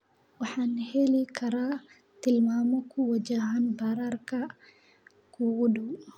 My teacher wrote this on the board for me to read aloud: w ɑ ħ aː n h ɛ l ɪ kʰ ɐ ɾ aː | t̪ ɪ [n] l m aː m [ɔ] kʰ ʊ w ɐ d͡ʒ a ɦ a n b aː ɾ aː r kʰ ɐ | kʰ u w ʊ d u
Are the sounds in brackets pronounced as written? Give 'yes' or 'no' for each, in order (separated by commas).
no, yes